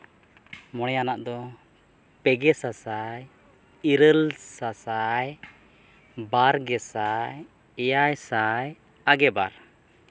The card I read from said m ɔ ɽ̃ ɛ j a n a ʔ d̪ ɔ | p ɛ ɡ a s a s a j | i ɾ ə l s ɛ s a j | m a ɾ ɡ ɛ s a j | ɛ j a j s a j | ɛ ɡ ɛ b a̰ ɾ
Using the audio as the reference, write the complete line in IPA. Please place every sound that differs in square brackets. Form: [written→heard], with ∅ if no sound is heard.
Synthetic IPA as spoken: m ɔ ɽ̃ ɛ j a n a ʔ d̪ ɔ | p ɛ ɡ [a→ɛ] s a s a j | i ɾ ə l s [ɛ→a] s a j | [m→b] a ɾ ɡ ɛ s a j | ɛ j a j s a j | [ɛ→a] ɡ ɛ b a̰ ɾ